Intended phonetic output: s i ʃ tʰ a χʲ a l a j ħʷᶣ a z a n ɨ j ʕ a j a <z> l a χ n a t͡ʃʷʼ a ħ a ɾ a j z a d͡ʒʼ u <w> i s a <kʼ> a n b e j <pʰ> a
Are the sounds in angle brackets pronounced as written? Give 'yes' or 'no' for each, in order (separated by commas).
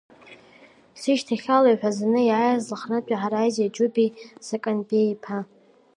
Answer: yes, no, yes, yes